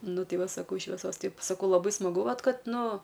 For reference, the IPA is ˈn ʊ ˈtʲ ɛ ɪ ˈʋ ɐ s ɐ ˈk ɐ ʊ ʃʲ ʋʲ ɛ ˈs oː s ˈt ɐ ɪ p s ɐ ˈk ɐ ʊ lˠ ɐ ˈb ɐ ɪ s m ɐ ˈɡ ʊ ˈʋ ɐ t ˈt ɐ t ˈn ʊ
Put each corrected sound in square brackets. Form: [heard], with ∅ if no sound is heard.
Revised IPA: ˈn ʊ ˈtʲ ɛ ɪ ˈʋ ɐ s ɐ ˈk ɐ ʊ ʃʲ ʋʲ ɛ ˈs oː s ˈt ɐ ɪ p s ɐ ˈk ɐ ʊ lˠ ɐ ˈb ɐ ɪ s m ɐ ˈɡ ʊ ˈʋ ɐ t [ˈk] ɐ t ˈn ʊ